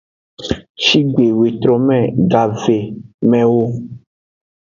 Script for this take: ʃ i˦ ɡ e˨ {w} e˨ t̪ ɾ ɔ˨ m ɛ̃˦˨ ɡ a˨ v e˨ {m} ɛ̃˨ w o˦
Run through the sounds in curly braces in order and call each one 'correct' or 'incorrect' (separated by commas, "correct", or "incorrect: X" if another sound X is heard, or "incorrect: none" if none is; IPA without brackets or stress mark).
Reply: correct, correct